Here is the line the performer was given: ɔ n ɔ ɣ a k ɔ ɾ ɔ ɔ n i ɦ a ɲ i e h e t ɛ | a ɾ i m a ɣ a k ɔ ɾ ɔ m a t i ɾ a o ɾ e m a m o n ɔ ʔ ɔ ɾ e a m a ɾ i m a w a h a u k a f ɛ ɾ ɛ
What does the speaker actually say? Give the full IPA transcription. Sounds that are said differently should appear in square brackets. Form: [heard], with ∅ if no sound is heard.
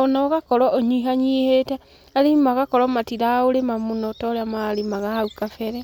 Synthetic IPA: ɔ n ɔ ɣ a k ɔ ɾ ɔ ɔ [ɲ] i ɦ a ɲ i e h e t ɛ | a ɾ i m a ɣ a k ɔ ɾ ɔ m a t i ɾ a o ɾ e m a m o n ɔ [t] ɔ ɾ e a m a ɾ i m a [ɣ] a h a u k a f ɛ ɾ ɛ